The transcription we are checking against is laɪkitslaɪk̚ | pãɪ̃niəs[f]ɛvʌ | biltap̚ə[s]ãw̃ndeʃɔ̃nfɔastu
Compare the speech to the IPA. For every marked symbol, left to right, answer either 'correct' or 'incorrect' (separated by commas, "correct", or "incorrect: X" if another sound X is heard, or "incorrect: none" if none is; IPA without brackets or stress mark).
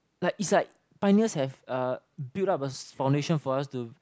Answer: incorrect: h, incorrect: f